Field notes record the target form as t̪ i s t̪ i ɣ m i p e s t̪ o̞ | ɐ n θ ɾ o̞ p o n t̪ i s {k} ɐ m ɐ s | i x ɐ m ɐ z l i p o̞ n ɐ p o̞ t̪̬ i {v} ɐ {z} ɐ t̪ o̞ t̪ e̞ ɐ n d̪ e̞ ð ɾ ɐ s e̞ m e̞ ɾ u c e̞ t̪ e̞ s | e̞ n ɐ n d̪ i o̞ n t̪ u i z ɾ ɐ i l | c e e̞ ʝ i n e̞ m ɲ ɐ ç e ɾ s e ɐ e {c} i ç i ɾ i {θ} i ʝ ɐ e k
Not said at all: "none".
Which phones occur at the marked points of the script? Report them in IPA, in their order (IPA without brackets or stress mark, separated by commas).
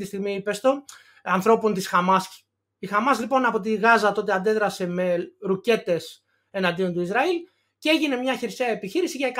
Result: x, ɣ, z, p, s